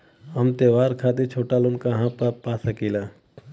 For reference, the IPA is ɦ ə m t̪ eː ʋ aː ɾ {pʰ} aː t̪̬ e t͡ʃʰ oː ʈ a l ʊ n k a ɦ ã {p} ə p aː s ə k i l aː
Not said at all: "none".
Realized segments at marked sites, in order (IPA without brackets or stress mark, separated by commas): kʰ, p